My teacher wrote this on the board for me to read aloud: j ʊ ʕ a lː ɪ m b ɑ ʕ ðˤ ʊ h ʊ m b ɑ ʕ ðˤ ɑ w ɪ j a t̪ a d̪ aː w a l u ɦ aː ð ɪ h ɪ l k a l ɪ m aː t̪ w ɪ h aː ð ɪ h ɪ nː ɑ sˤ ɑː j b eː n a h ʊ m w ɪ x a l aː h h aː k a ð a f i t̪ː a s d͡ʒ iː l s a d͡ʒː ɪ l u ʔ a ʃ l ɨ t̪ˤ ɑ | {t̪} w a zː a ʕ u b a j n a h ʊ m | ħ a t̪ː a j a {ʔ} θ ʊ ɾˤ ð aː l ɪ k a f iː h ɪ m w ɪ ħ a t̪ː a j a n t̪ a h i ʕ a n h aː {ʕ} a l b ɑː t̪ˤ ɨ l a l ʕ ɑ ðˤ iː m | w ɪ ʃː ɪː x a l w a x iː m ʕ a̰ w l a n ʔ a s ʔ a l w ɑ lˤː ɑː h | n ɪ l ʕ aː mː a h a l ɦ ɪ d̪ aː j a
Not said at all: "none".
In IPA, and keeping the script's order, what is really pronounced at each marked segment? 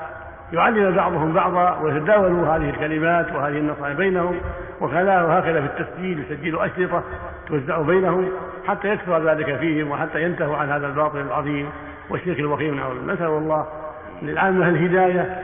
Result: t̪, k, ð

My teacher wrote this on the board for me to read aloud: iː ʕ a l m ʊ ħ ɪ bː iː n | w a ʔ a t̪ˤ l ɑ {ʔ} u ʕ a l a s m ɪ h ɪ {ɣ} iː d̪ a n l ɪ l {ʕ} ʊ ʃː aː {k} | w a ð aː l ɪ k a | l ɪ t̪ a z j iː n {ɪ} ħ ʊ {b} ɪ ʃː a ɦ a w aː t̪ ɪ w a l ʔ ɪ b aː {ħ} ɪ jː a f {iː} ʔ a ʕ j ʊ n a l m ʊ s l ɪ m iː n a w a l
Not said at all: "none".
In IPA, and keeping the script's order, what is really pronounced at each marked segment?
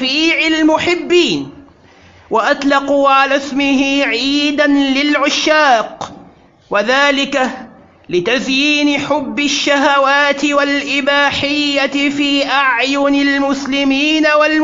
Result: q, ʕ, ʕ, q, ɪ, bː, ħ, iː

